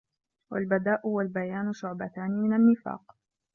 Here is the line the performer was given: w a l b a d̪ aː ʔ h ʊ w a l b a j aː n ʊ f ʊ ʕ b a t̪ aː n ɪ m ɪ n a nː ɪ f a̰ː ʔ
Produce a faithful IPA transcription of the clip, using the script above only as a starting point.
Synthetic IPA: w a l b a d̪ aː ʔ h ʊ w a l b a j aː n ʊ ʃ ʊ ʕ b a t̪ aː n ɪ m ɪ n a nː ɪ f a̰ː q